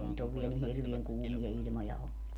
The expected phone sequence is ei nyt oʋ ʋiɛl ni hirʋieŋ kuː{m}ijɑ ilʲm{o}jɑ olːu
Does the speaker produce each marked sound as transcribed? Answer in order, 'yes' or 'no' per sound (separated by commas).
yes, yes